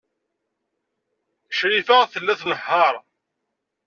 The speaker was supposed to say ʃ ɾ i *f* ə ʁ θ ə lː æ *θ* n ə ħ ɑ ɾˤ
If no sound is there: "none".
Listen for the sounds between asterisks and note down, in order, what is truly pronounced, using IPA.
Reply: f, θ

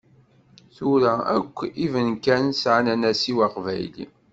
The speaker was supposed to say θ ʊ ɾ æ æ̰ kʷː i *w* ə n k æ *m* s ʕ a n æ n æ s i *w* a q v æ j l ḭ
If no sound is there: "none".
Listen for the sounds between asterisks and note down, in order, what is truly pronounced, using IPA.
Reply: v, n, w

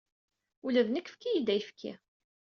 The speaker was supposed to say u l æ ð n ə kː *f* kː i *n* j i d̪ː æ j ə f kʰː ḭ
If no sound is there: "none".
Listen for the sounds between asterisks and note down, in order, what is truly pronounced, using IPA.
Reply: f, none

